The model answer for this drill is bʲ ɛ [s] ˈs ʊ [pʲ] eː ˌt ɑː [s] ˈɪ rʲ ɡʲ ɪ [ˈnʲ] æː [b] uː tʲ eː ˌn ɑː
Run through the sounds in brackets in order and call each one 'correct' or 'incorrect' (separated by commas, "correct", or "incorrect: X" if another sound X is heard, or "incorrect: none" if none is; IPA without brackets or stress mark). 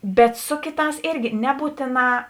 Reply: incorrect: t, incorrect: kʲ, correct, correct, correct